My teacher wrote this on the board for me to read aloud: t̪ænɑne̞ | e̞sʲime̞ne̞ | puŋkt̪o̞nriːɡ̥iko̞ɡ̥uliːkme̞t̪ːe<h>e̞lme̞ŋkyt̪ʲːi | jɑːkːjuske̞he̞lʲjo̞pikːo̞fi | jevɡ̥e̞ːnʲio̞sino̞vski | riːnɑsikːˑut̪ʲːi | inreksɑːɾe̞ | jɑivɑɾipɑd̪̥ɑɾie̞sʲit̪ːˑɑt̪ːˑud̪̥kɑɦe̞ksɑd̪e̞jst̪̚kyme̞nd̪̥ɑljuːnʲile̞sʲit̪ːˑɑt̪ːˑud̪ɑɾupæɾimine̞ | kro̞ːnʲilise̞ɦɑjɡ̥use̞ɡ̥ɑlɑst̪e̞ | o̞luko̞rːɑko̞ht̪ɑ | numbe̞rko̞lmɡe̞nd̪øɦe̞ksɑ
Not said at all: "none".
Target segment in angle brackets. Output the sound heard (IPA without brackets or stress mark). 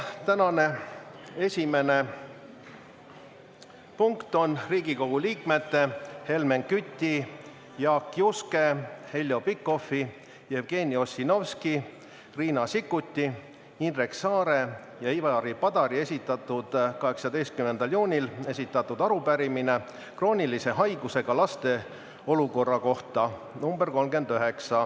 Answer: h